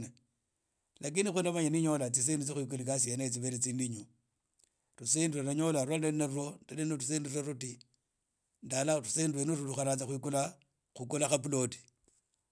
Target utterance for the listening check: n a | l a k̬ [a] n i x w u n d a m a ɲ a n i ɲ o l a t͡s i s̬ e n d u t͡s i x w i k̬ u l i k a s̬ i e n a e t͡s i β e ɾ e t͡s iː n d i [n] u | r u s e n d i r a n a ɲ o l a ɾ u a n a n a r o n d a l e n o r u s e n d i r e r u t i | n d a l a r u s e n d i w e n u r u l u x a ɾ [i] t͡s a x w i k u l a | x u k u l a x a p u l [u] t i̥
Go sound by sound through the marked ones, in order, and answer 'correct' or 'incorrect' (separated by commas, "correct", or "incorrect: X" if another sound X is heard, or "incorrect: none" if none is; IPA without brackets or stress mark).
incorrect: i, incorrect: ɲ, incorrect: a, incorrect: o